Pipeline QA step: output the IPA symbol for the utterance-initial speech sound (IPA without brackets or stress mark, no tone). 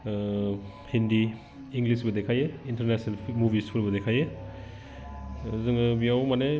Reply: h